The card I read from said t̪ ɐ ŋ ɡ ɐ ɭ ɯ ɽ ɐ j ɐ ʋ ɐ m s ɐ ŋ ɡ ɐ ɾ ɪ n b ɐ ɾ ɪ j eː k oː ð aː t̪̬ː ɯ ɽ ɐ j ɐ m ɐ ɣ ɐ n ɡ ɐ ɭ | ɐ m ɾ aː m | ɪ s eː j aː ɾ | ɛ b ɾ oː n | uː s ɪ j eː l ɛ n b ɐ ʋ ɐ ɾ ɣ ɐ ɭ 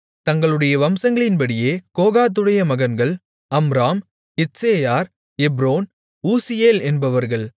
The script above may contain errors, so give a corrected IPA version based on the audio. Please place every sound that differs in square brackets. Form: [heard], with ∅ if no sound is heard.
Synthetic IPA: t̪ ɐ ŋ ɡ ɐ ɭ ɯ ɽ ɐ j ɐ ʋ ɐ m s ɐ ŋ ɡ ɐ [ɭ] ɪ n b ɐ [ɽ] ɪ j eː k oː [ɣ] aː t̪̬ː ɯ ɽ ɐ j ɐ m ɐ ɣ ɐ n ɡ ɐ ɭ | ɐ m ɾ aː m | ɪ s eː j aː ɾ | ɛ b ɾ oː n | uː s ɪ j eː l ɛ n b ɐ ʋ ɐ ɾ ɣ ɐ ɭ